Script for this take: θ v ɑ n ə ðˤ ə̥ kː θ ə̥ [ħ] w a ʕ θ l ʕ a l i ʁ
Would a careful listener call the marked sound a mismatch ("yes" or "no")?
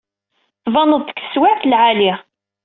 yes